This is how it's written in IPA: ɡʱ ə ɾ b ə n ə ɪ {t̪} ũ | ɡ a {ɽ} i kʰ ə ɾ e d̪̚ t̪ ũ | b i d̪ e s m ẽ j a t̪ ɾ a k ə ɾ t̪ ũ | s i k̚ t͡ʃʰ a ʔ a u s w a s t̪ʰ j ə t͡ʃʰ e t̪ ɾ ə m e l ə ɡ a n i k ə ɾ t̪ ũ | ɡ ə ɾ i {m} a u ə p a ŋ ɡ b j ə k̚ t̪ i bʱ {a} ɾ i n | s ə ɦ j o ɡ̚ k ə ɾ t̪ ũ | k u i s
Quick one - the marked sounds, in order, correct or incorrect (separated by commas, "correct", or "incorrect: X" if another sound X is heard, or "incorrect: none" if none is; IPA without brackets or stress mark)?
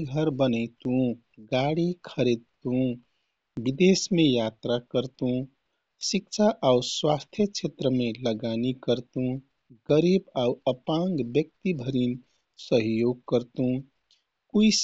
correct, correct, incorrect: b, incorrect: ə